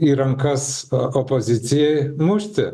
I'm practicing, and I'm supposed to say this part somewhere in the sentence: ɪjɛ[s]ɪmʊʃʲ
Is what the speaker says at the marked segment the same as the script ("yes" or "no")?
no